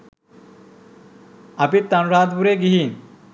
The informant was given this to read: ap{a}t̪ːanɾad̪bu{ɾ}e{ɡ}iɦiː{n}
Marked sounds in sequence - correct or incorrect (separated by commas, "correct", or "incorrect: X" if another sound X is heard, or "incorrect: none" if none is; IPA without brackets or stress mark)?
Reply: incorrect: i, correct, correct, correct